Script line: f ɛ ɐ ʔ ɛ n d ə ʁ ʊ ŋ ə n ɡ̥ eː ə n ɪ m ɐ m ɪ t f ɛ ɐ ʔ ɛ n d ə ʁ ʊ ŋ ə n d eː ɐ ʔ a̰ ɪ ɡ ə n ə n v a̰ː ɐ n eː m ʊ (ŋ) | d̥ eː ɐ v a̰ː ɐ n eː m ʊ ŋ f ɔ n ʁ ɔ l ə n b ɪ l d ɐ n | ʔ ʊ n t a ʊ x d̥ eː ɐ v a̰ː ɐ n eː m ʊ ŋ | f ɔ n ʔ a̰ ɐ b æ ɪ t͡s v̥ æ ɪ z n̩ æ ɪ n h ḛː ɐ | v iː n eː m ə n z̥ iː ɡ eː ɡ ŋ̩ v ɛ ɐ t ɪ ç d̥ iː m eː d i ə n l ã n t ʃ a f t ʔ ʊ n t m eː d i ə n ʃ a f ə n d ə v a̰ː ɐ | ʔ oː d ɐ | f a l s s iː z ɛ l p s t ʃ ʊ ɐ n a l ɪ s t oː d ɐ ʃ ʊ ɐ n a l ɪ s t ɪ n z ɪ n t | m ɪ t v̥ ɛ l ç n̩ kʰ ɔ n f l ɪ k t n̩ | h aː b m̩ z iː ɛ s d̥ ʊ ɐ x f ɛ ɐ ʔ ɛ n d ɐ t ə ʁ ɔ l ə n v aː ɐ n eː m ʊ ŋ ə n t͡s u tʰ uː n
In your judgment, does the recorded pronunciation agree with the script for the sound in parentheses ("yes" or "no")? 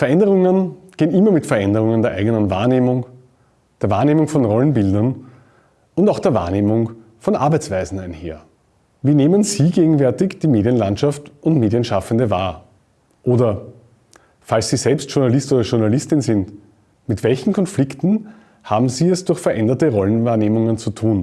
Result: yes